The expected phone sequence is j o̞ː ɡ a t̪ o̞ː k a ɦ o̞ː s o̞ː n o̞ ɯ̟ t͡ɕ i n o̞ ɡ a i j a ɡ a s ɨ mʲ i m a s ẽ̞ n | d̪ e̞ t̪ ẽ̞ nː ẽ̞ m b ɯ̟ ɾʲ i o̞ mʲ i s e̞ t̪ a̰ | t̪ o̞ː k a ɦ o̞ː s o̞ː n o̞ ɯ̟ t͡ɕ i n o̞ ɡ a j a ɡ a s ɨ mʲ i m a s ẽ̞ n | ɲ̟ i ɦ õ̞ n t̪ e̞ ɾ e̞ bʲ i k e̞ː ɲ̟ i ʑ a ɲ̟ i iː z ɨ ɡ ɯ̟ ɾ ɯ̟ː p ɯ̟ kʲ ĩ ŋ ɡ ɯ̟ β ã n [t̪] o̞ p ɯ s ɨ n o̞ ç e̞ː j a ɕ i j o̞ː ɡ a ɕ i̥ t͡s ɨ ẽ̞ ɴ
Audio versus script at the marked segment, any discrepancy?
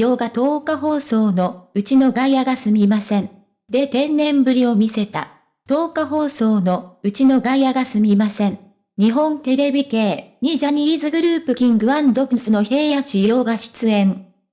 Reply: yes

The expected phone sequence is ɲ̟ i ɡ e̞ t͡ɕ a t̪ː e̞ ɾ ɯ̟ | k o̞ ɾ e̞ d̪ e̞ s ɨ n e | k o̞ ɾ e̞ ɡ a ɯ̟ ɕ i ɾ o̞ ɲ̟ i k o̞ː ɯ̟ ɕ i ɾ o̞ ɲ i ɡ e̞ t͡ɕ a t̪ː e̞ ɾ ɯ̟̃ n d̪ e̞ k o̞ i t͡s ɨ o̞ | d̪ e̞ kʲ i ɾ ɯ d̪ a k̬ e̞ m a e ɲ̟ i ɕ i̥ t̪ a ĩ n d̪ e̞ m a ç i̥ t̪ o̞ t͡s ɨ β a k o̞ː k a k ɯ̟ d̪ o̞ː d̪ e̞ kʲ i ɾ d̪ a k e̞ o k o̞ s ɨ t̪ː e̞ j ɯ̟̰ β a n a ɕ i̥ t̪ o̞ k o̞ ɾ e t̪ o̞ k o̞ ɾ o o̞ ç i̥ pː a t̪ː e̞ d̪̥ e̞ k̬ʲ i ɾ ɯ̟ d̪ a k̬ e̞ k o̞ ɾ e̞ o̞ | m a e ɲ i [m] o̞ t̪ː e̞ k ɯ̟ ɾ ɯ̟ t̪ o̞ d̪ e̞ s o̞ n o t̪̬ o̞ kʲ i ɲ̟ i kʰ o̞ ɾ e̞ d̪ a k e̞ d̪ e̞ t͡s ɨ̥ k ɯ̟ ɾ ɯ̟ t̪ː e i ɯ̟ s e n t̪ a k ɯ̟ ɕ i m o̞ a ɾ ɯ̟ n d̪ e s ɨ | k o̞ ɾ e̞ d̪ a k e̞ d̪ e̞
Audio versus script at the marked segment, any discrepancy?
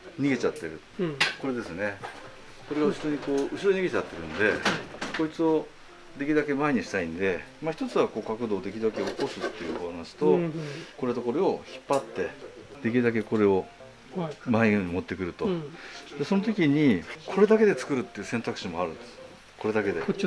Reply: no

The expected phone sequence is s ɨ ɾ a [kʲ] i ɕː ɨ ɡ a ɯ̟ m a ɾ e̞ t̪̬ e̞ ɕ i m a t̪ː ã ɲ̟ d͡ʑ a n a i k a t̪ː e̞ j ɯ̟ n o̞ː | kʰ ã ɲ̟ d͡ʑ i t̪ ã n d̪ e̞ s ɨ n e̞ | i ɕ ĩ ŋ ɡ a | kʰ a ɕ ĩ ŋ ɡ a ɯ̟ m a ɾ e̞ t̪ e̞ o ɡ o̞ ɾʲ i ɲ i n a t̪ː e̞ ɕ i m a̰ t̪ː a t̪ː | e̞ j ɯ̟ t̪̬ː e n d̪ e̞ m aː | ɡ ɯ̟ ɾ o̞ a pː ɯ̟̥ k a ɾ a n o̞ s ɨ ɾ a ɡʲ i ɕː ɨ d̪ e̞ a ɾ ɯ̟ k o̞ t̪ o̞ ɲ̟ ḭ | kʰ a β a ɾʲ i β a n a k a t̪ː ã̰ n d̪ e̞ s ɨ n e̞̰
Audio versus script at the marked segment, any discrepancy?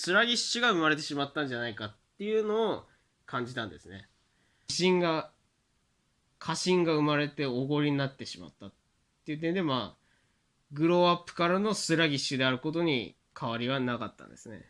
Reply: yes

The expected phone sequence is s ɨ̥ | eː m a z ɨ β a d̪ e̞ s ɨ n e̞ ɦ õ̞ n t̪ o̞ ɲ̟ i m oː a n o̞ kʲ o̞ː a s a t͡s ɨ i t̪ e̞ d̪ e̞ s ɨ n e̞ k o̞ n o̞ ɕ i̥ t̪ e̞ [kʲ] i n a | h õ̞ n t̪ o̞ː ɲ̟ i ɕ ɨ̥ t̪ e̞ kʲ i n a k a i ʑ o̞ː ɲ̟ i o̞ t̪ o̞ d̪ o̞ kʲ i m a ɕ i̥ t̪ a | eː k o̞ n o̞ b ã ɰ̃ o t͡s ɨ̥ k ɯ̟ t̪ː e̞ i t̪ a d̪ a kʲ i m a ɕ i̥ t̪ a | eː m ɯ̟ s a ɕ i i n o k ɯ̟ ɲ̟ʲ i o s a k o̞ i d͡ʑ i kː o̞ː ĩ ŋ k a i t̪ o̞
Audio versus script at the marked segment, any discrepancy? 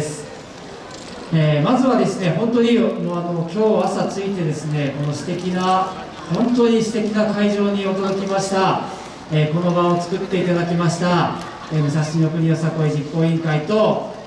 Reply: no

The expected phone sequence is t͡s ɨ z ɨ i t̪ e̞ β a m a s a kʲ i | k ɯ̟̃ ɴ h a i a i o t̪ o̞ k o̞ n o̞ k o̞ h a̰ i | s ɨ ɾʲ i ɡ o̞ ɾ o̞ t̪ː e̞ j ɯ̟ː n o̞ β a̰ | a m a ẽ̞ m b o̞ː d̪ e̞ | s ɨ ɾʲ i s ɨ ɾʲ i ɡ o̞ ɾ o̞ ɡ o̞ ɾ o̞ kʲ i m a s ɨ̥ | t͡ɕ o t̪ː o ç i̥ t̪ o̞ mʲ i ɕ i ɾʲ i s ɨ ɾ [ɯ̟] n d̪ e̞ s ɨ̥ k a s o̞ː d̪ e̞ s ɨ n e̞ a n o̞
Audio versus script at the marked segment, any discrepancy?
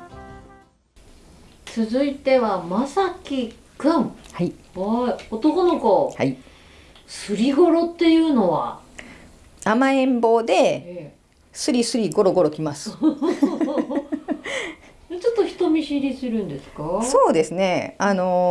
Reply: yes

